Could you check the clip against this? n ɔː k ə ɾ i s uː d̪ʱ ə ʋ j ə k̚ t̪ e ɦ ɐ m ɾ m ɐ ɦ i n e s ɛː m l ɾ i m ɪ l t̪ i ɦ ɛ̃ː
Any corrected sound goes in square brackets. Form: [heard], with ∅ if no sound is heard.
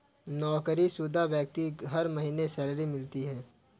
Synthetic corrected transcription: n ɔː k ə ɾ i s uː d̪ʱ [a] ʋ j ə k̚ t̪ [i] ɦ ɐ [∅] ɾ m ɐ ɦ [iː] n e s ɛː [∅] l ɾ i m ɪ l t̪ i ɦ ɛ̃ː